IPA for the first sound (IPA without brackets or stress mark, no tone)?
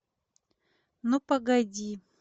n